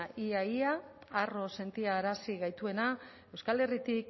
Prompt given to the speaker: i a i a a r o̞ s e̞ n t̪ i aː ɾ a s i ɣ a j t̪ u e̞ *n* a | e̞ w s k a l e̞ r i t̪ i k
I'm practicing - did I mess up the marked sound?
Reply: no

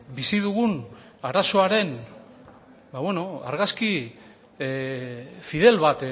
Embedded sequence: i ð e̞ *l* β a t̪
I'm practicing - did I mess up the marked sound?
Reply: no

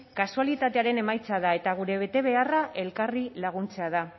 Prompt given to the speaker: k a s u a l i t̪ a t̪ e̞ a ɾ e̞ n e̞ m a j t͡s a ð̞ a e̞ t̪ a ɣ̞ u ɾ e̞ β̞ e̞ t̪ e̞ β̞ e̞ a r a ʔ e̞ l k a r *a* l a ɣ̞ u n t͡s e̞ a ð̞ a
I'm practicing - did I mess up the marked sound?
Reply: yes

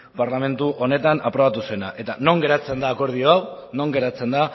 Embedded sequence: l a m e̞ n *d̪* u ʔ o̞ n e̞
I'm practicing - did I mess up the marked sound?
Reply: yes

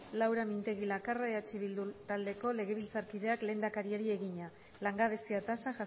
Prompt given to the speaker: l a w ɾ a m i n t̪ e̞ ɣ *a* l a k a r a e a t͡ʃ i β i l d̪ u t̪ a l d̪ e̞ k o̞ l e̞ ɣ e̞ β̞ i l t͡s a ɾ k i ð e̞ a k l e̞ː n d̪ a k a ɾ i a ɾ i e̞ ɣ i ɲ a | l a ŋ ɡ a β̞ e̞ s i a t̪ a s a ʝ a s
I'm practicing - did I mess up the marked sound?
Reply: yes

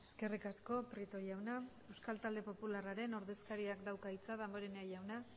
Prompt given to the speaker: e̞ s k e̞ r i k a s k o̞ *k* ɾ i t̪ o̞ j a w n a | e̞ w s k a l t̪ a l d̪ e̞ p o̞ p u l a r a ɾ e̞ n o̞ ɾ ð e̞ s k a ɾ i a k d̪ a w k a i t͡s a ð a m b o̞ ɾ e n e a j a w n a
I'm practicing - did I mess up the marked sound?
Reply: yes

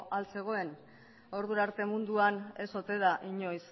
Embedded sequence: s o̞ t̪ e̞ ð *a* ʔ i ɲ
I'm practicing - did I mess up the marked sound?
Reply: no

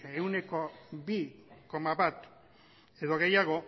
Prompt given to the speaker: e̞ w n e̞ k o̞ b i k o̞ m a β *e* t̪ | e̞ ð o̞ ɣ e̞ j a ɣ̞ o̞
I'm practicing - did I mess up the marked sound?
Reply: yes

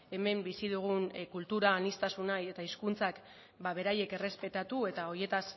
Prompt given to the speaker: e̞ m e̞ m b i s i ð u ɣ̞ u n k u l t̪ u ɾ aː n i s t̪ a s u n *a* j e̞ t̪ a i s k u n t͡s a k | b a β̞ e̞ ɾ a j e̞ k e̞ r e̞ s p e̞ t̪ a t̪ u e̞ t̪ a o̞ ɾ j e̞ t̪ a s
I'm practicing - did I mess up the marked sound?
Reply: no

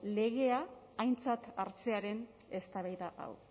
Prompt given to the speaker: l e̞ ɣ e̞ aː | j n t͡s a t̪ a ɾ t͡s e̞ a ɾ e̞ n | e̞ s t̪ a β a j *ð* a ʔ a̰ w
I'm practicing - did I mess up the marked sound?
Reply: no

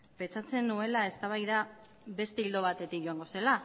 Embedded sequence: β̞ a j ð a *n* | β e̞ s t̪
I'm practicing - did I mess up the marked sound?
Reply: yes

